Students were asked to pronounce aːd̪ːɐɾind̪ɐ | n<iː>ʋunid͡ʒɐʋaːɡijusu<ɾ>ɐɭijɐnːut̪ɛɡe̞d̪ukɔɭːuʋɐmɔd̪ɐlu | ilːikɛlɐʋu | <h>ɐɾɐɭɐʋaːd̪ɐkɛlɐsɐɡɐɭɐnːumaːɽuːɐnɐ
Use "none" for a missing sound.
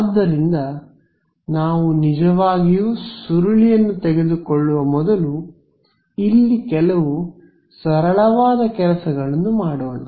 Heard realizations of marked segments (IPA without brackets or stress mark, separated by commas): aː, ɾ, s